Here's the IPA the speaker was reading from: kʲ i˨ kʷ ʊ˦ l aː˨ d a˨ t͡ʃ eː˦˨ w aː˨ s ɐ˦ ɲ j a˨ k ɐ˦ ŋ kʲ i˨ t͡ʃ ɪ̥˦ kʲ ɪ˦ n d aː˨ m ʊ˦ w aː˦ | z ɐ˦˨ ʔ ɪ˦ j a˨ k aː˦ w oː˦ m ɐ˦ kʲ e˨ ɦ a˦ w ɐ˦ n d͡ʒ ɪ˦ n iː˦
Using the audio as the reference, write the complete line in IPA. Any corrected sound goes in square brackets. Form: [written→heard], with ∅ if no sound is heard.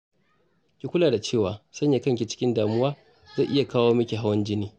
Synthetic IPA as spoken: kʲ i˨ kʷ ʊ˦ l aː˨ d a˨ t͡ʃ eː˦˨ w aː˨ s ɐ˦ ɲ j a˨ k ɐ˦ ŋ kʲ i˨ t͡ʃ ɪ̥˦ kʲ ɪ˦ n d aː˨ m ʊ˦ w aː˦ | z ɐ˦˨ ʔ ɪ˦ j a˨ k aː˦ w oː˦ m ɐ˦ kʲ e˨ ɦ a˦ w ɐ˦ n d͡ʒ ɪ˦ n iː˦